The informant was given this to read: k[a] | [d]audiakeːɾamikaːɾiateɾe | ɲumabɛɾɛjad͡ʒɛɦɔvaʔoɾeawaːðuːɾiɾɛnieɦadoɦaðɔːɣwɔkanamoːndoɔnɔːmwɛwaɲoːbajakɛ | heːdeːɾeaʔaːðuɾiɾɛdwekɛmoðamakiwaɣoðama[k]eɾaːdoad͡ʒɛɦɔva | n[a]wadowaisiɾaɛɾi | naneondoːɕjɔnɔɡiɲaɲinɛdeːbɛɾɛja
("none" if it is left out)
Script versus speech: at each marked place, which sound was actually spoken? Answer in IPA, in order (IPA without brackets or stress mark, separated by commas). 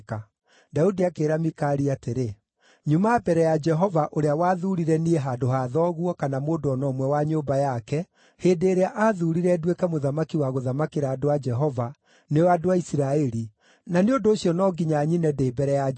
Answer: a, d, k, e